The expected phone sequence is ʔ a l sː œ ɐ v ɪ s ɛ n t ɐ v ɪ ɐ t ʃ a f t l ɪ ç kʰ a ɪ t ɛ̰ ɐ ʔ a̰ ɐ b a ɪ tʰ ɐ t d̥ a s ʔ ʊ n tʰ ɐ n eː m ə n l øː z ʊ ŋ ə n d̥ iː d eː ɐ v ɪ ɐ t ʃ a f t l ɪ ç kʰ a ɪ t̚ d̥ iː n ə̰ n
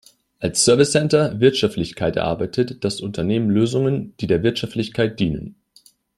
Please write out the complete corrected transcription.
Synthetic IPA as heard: ʔ a l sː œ ɐ v ɪ s ɛ n t ɐ v ɪ ɐ t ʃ a f t l ɪ ç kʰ a ɪ t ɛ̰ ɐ ʔ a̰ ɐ b a ɪ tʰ ə t d̥ a s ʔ ʊ n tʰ ɐ n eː m ə n l øː z ʊ ŋ ə n d̥ iː d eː ɐ v ɪ ɐ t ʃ a f t l ɪ ç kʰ a ɪ t̚ d̥ iː n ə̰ n